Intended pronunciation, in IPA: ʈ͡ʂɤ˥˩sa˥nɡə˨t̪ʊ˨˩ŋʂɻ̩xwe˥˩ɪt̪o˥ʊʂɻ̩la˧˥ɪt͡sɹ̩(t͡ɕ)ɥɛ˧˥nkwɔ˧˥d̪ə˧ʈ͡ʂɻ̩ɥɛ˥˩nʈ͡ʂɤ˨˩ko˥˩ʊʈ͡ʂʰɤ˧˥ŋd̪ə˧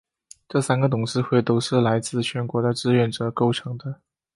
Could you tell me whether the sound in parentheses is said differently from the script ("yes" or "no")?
yes